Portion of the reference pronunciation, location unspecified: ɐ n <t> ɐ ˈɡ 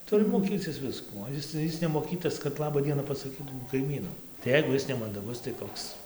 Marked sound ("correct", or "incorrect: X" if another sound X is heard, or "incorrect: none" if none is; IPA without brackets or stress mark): incorrect: d